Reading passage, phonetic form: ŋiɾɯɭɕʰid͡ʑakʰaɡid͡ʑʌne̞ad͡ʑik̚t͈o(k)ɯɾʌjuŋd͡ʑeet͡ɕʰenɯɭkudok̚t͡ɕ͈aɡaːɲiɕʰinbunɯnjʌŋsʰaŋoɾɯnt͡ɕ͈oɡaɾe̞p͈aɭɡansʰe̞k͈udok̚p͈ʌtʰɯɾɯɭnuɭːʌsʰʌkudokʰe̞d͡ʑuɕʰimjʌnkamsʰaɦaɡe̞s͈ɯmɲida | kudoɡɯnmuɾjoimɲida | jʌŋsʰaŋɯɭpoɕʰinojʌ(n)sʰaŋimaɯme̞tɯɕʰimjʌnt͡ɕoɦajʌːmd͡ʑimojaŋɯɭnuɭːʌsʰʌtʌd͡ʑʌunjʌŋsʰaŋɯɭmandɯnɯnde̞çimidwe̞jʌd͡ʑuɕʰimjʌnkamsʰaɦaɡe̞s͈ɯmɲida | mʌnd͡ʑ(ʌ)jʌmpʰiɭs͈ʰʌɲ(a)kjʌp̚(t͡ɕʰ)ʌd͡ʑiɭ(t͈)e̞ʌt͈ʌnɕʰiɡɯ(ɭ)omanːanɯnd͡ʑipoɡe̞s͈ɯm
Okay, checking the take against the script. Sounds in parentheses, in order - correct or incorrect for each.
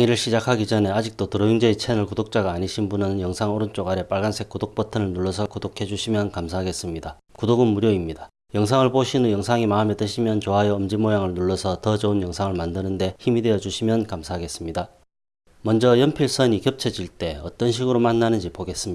incorrect: t, incorrect: ŋ, correct, incorrect: i, correct, correct, incorrect: ɾ

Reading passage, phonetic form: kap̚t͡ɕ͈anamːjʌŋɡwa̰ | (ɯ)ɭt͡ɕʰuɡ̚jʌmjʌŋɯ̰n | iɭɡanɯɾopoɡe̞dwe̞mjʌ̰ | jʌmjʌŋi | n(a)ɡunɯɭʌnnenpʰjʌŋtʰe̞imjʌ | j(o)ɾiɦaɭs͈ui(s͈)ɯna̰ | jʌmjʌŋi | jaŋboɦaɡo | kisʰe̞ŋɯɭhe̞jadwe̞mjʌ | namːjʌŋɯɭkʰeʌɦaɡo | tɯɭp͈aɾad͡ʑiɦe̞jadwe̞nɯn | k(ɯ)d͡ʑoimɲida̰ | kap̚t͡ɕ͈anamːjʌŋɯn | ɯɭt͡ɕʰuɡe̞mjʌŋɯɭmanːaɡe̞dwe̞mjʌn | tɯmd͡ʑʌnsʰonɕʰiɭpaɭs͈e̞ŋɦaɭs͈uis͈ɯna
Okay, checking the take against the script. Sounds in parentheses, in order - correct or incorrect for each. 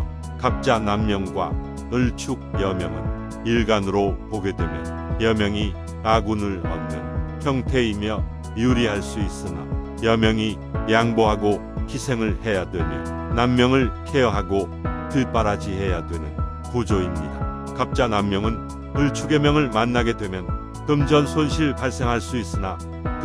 correct, correct, incorrect: u, correct, incorrect: u

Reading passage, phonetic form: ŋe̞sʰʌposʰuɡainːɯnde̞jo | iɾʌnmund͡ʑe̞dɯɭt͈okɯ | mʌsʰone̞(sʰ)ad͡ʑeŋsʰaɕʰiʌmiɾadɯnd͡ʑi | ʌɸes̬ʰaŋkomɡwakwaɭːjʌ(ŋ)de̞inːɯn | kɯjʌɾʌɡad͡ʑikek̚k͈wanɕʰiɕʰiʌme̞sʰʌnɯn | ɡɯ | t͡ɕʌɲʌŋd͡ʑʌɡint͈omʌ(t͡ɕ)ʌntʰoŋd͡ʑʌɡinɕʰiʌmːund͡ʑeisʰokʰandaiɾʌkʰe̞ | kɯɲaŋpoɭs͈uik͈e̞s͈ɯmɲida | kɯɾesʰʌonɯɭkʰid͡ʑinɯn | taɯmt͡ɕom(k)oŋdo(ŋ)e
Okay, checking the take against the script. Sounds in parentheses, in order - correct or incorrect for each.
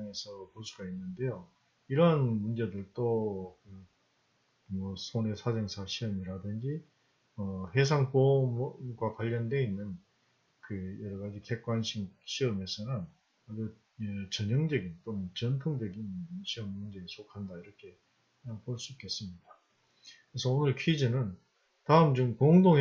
correct, incorrect: n, correct, correct, correct

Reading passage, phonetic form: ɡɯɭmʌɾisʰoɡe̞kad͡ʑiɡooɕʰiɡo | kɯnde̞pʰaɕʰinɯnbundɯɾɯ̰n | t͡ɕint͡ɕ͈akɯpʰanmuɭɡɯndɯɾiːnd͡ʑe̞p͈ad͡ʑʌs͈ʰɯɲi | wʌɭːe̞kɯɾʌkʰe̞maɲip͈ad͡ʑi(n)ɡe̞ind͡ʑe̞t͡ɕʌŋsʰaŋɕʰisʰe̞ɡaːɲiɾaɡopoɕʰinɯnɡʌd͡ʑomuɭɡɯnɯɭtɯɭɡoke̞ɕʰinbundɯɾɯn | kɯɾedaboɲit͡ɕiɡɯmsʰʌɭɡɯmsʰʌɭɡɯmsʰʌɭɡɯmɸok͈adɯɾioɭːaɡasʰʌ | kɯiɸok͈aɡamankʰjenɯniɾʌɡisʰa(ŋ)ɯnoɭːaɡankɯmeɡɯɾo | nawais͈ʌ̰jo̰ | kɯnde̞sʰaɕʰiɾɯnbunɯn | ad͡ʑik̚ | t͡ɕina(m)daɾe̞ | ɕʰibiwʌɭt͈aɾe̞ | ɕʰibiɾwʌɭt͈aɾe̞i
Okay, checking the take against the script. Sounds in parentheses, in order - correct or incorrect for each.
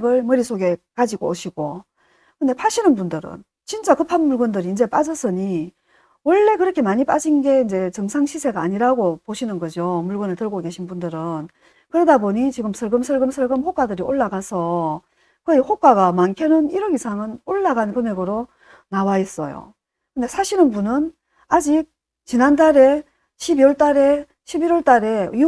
correct, correct, incorrect: n

